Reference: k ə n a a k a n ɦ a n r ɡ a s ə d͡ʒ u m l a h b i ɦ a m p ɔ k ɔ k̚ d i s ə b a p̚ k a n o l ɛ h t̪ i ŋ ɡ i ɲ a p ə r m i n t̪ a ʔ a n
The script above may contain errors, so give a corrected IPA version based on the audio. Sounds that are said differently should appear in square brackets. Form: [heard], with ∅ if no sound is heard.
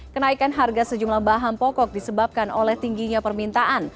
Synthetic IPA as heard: k ə n a [i] k a n ɦ a [∅] r ɡ a s ə d͡ʒ u m l a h b [a] ɦ a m p ɔ k ɔ k̚ d i s ə b a p̚ k a n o l ɛ h t̪ i ŋ ɡ i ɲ a p ə r m i n t̪ a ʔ a n